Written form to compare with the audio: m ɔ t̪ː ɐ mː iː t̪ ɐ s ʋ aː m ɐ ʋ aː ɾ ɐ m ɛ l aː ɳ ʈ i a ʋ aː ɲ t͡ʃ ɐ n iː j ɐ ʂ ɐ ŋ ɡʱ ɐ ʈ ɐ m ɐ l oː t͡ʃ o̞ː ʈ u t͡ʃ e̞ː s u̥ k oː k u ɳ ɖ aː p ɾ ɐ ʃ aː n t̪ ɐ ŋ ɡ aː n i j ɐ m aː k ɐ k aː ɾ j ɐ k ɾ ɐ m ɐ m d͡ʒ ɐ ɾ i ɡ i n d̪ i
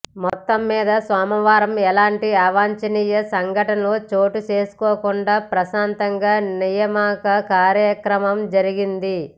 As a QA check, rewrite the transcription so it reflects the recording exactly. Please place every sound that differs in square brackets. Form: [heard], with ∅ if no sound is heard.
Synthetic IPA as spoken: m ɔ t̪ː ɐ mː iː [d̪] ɐ s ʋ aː m ɐ ʋ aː ɾ ɐ m ɛ l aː ɳ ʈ i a ʋ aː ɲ t͡ʃ ɐ n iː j ɐ [s] ɐ ŋ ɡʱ ɐ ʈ ɐ [n] ɐ l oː t͡ʃ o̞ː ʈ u t͡ʃ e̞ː s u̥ k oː k u ɳ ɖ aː p ɾ ɐ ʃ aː n t̪ ɐ ŋ ɡ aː n i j ɐ m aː k ɐ k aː ɾ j ɐ k ɾ ɐ m ɐ m d͡ʒ ɐ ɾ i ɡ i n d̪ i